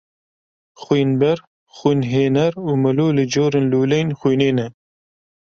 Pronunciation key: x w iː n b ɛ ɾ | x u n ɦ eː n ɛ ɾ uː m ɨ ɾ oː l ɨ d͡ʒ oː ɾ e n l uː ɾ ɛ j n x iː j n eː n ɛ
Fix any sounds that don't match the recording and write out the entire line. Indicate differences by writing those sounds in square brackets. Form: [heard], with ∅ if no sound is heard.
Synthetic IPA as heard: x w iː n b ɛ ɾ | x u n ɦ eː n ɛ ɾ uː m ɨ [l] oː l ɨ d͡ʒ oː ɾ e n l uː [l] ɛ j n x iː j n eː n ɛ